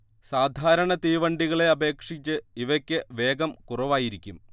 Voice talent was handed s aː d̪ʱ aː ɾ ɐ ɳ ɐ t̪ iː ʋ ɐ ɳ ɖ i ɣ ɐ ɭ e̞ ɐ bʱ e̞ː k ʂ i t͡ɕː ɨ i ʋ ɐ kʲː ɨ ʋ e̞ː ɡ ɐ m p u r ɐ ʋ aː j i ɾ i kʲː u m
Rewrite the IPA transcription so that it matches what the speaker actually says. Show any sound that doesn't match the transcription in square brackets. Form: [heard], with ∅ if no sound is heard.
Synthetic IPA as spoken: s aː d̪ʱ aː ɾ ɐ ɳ ɐ t̪ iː ʋ ɐ ɳ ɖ i ɣ ɐ ɭ e̞ ɐ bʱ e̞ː k ʂ i t͡ɕː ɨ i ʋ ɐ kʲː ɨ ʋ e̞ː ɡ ɐ m [k] u r ɐ ʋ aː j i ɾ i kʲː u m